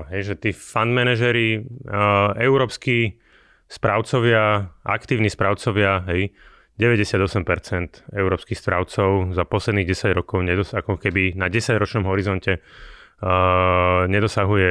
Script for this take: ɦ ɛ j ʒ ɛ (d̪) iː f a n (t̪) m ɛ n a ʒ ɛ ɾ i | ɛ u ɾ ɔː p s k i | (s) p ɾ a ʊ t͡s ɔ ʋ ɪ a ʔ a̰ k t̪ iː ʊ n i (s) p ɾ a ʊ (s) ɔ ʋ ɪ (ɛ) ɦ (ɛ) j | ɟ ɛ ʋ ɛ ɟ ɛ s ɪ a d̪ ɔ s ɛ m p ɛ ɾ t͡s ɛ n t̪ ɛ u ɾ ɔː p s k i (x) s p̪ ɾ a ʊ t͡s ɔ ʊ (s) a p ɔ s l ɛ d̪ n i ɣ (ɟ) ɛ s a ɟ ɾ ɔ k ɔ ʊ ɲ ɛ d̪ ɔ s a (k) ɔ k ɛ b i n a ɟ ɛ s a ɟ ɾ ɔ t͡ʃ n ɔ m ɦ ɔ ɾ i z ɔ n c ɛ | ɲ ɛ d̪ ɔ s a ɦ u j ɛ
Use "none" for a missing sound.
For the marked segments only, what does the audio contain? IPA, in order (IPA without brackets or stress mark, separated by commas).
t̪, d̪, s, s, t͡s, a, ɛ, x, z, ɟ, k